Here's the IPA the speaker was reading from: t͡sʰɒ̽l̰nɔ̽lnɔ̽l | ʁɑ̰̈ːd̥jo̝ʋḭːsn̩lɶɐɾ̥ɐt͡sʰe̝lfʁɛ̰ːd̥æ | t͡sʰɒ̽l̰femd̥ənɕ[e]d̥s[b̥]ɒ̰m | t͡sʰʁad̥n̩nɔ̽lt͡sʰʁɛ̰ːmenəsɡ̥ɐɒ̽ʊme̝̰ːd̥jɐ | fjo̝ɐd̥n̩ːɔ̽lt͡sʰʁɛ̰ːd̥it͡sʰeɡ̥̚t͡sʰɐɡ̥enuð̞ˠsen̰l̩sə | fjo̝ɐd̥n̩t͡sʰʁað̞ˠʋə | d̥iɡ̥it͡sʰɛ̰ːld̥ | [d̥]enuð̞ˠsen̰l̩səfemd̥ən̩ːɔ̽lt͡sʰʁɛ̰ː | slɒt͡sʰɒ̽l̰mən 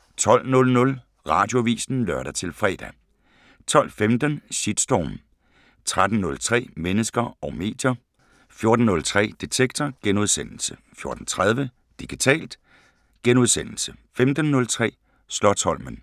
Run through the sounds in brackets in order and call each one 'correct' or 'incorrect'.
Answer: incorrect, incorrect, incorrect

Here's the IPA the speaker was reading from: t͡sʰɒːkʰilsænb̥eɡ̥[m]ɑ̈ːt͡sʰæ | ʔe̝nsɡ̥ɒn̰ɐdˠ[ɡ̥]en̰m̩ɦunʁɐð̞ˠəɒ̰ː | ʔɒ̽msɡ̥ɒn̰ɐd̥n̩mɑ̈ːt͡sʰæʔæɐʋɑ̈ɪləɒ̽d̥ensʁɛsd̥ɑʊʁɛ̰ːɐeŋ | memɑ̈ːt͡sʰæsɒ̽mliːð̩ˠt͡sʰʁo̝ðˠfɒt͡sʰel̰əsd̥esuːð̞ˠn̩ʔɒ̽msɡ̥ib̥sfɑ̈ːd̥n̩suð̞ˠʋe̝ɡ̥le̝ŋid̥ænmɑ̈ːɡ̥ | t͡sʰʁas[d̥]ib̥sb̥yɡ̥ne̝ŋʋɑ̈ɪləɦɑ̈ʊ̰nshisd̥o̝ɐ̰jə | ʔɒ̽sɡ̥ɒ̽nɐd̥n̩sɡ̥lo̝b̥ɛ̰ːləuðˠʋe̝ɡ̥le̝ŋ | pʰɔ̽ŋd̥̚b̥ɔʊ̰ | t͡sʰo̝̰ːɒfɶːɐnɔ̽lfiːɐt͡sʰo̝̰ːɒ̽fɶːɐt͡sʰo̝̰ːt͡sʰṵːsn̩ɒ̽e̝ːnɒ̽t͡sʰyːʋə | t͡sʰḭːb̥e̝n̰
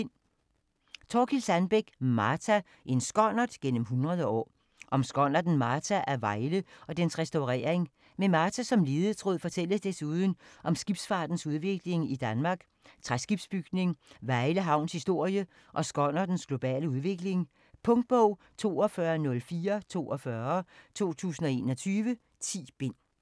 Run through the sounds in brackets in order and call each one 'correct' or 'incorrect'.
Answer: correct, correct, incorrect

